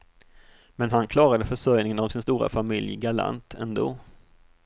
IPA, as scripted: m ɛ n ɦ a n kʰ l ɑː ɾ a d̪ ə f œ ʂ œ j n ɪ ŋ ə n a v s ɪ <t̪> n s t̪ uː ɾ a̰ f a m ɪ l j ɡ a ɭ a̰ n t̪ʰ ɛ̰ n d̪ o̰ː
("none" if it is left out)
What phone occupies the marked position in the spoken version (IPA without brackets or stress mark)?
none